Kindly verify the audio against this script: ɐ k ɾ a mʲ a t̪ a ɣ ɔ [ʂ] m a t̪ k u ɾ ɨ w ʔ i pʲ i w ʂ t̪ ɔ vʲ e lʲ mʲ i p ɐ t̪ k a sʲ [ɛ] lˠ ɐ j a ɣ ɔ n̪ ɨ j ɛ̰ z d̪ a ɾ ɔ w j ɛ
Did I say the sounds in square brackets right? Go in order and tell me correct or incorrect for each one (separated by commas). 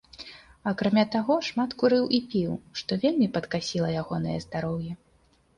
correct, incorrect